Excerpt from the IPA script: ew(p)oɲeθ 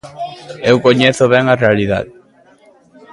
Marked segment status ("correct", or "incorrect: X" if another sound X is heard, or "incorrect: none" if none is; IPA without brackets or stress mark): incorrect: k